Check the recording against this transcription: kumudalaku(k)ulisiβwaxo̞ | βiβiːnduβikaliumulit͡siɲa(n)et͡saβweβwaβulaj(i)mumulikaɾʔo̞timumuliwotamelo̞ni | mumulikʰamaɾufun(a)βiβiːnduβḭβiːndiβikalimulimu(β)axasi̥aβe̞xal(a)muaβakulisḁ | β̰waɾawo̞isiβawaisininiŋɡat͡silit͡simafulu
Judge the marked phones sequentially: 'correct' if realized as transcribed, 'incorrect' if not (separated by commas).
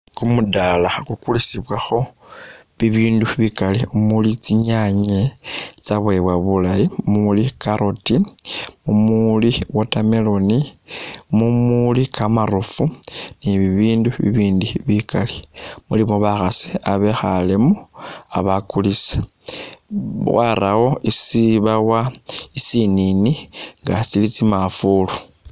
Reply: correct, incorrect, correct, incorrect, correct, incorrect